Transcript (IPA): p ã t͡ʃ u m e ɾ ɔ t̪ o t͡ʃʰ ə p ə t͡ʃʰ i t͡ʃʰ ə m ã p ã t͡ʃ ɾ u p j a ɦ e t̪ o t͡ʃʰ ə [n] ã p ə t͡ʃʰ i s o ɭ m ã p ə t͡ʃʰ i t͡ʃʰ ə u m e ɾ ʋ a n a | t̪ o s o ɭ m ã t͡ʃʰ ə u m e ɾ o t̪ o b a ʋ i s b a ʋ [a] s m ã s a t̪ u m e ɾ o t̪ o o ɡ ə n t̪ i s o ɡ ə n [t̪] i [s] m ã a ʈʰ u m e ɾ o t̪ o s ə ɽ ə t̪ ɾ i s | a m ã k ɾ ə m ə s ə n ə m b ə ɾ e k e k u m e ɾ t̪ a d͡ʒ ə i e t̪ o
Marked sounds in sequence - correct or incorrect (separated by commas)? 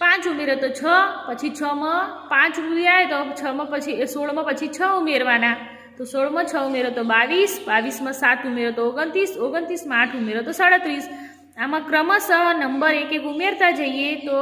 incorrect, incorrect, correct, correct